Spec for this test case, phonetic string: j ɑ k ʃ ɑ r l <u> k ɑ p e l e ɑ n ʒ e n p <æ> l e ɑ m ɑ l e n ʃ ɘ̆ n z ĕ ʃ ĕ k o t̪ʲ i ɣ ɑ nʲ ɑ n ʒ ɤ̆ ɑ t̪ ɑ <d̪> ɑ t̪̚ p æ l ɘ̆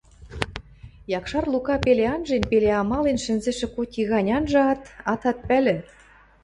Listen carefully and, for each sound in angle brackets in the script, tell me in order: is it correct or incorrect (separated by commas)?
correct, incorrect, incorrect